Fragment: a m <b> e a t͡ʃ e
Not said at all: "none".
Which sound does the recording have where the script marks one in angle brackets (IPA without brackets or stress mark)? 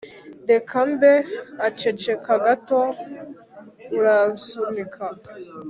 b